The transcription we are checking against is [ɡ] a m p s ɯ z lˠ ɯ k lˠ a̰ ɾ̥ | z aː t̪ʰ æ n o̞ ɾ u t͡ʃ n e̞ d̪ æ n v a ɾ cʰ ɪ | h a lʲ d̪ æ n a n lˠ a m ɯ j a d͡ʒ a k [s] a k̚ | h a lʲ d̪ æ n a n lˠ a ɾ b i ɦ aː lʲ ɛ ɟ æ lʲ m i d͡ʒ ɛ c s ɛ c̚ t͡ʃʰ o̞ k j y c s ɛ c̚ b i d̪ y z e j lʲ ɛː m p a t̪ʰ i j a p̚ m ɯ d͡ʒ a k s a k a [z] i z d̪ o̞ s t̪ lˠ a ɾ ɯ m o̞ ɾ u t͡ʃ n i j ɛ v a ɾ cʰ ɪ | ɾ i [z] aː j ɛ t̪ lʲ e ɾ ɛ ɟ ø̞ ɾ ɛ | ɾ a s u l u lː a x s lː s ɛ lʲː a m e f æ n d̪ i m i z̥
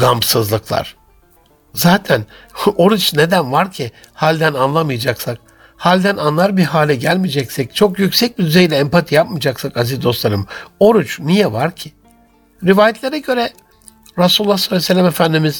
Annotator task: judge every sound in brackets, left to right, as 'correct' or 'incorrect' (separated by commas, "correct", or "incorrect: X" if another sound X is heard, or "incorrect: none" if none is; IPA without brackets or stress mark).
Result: correct, correct, correct, incorrect: v